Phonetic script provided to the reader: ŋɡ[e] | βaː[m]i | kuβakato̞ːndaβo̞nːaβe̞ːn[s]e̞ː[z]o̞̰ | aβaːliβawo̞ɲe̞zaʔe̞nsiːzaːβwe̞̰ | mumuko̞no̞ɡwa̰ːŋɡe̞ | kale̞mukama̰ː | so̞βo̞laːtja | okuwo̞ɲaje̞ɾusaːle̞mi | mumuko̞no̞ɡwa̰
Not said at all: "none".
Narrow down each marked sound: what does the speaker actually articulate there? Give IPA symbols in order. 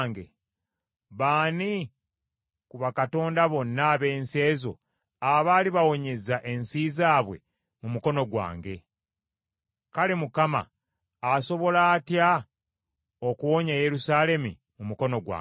e, n, s, z

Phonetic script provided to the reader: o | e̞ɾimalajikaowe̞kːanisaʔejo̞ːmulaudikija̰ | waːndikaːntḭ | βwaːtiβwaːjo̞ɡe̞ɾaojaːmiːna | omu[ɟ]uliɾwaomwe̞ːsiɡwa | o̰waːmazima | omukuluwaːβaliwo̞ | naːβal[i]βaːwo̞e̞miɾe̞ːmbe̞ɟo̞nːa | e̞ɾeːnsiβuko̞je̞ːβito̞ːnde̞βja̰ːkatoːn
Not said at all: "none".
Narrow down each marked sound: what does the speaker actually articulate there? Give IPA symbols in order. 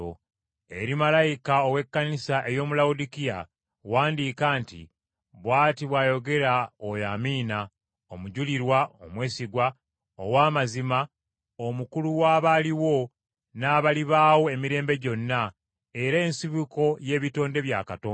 ɟ, i

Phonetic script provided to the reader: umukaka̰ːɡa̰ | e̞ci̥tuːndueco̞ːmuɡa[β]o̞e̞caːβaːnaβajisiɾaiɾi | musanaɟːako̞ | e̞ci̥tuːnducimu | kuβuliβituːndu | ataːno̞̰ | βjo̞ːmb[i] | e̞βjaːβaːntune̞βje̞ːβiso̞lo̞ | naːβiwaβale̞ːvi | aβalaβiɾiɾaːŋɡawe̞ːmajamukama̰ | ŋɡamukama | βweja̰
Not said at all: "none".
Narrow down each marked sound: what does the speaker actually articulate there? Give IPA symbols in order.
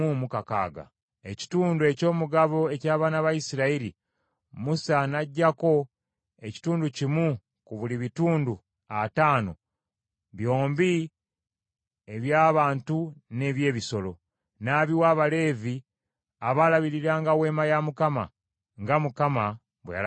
β, i

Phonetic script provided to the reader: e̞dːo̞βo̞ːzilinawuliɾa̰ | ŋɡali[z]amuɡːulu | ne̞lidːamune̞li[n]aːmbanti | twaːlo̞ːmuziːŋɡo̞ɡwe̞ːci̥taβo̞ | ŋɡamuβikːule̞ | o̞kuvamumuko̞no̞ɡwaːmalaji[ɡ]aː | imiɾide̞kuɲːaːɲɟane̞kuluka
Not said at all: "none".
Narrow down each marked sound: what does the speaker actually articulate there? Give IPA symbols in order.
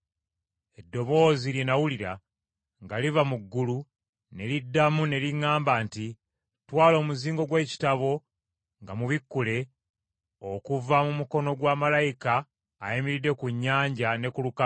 v, ŋ, k

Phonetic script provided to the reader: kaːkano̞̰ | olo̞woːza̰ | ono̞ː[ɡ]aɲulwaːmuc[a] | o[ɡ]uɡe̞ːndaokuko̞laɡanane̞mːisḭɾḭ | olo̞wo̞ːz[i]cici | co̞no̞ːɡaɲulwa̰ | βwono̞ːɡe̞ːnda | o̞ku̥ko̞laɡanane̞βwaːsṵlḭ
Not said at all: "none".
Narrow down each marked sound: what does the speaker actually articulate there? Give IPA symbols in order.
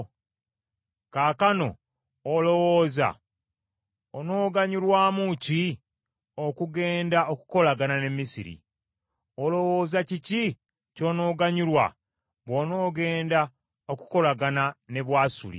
ɡ, i, k, a

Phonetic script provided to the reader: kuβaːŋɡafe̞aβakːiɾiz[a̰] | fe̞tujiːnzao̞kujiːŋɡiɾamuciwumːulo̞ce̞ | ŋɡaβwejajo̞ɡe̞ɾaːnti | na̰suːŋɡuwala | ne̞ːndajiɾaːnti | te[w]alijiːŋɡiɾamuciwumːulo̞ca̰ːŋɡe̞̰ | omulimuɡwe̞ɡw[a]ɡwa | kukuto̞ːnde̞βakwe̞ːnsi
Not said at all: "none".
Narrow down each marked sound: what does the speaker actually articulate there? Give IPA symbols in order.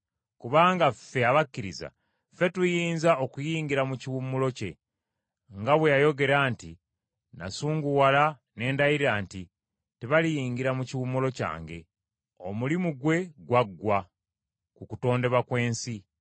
a̰, β, a

